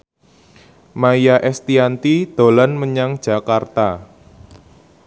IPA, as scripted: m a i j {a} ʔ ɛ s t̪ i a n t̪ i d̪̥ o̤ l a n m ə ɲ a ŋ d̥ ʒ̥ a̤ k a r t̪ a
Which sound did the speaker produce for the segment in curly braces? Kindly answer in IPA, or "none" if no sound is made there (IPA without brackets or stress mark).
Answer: a